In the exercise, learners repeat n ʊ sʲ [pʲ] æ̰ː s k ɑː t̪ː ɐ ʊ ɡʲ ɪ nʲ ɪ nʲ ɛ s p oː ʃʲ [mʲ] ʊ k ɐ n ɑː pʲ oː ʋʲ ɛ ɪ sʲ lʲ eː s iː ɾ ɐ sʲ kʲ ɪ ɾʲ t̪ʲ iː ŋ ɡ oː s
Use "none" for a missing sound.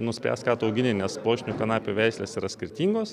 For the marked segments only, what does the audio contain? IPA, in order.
pʲ, nʲ

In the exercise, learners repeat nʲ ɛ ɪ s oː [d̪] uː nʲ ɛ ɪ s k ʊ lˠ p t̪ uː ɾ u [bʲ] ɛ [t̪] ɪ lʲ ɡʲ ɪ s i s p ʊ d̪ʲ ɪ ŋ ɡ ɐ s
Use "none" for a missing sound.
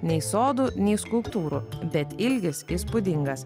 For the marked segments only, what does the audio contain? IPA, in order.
d̪, bʲ, t̪

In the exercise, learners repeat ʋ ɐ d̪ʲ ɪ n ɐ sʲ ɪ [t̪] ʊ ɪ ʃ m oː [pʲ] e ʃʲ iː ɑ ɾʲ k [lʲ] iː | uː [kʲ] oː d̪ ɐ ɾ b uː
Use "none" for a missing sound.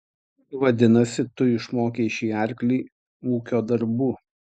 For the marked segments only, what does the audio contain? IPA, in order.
t̪, kʲ, lʲ, kʲ

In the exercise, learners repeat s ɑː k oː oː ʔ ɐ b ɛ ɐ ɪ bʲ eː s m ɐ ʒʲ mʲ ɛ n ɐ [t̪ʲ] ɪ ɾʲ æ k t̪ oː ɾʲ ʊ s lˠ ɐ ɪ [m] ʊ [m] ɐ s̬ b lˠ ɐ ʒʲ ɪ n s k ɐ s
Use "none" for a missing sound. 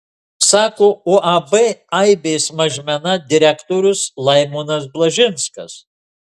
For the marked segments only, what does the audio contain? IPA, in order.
d̪ʲ, m, n

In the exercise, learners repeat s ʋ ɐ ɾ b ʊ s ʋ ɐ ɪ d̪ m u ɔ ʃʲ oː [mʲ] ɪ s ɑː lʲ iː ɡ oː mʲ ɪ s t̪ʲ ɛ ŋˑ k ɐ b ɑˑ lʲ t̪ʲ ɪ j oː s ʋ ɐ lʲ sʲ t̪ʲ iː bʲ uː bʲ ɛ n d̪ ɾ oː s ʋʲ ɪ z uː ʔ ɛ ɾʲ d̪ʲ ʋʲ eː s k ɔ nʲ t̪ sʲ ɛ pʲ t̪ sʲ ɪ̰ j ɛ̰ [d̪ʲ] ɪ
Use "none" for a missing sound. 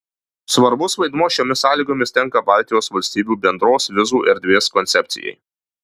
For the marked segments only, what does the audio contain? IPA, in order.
mʲ, none

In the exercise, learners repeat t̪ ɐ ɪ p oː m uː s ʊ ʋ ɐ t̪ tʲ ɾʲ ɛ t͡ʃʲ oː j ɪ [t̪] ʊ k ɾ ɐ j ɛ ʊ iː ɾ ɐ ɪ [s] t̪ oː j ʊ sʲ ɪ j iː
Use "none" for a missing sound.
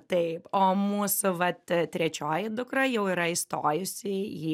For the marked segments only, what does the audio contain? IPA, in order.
d̪, s

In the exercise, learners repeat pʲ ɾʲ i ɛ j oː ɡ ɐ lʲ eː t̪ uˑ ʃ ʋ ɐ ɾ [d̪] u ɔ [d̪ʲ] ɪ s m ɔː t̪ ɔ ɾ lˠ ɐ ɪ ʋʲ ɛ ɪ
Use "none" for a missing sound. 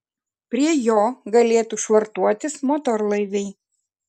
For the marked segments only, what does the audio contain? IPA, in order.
t̪, t̪ʲ

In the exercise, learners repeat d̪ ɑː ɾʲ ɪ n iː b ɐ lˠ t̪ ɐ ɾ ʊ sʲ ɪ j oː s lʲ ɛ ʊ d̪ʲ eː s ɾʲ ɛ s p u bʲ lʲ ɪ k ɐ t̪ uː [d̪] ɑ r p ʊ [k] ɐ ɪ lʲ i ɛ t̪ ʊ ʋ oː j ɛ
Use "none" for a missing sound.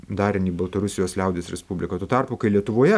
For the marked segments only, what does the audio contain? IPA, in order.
t̪, k

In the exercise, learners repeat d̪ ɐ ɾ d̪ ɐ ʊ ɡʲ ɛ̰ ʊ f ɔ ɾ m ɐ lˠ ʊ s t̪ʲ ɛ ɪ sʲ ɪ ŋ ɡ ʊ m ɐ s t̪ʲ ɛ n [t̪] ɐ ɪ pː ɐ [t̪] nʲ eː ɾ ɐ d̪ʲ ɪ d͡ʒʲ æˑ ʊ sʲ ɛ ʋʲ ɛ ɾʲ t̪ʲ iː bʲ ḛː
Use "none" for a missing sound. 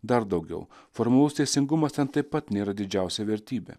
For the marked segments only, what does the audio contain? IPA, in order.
t̪, t̪

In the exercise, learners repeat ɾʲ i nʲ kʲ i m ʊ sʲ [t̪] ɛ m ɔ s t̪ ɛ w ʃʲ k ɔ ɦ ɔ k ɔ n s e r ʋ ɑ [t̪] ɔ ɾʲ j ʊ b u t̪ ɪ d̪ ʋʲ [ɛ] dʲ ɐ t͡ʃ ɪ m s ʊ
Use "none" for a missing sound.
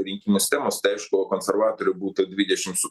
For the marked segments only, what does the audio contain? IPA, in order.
t̪, t̪, i

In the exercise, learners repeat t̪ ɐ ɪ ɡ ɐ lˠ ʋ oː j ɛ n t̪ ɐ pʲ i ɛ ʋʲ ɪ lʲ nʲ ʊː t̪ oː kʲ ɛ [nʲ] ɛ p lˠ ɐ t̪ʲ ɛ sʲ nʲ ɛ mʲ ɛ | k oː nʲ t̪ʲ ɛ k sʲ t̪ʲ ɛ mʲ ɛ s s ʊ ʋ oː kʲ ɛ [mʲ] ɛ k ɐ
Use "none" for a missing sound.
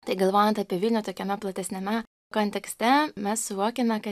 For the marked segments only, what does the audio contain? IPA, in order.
mʲ, mʲ

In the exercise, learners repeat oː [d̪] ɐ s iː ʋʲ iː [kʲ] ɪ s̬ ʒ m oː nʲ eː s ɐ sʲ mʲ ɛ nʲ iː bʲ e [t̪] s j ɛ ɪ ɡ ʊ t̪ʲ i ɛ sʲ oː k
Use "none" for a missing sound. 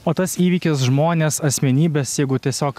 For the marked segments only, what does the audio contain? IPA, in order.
t̪, kʲ, none

